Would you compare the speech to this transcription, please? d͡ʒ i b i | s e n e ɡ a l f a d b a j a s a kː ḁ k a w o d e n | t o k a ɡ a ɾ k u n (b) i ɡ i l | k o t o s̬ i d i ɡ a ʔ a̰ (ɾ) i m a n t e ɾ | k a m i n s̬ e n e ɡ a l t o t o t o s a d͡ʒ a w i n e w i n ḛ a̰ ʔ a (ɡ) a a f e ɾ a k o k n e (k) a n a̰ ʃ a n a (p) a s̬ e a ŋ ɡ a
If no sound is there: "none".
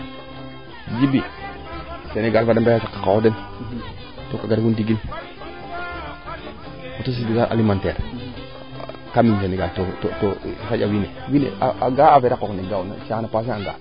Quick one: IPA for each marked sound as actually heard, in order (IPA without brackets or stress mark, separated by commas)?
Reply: d, l, ɡ, ɡ, p